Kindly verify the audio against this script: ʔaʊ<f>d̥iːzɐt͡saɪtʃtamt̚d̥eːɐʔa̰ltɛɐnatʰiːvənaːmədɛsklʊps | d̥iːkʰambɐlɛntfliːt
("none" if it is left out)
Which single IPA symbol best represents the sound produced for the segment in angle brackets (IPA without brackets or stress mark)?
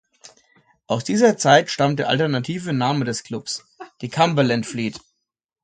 s